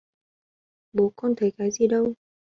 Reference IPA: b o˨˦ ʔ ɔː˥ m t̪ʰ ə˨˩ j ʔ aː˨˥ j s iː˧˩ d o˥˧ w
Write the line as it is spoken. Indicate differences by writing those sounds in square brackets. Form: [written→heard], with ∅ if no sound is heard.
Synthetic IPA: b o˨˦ [ʔ→k] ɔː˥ [m→n] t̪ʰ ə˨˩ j [ʔ→k] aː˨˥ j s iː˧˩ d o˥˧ w